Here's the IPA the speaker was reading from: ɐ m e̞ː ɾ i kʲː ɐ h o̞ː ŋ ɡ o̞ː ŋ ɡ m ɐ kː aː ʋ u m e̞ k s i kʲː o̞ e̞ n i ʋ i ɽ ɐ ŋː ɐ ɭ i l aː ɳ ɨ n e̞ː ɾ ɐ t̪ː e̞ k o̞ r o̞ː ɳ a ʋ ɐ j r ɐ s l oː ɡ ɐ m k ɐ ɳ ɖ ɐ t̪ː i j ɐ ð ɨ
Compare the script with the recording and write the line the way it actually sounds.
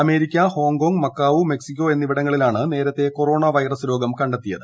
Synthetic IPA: ɐ m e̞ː ɾ i kʲː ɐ h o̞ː ŋ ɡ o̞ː ŋ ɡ m ɐ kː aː ʋ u m e̞ k s i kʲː o̞ e̞ nː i ʋ i ɽ ɐ ŋː ɐ ɭ i l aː ɳ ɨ n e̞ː ɾ ɐ t̪ː e̞ k o̞ r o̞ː ɳ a ʋ ɐ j r ɐ s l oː ɡ ɐ m k ɐ ɳ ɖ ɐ t̪ː i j ɐ ð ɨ